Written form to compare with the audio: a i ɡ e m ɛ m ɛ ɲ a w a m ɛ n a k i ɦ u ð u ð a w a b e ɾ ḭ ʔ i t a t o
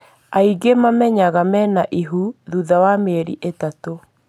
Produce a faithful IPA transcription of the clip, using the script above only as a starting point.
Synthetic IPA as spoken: a i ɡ e m a m ɛ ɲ a ɣ a m ɛ n a ʔ i ɦ u ð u ð a w a m e ɾ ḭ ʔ e t a t o